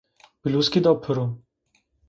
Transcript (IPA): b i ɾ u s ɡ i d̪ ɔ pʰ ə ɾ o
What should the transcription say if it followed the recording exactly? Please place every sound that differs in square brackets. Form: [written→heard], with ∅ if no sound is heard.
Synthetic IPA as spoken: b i [ɾ→l] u s [ɡ→k] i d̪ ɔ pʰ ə ɾ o